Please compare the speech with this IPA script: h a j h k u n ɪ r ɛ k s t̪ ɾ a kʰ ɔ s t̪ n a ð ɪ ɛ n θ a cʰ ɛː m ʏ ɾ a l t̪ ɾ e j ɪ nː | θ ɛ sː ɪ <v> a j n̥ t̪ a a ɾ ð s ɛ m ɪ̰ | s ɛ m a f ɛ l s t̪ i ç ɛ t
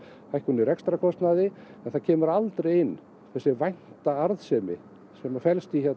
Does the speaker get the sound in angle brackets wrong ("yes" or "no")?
no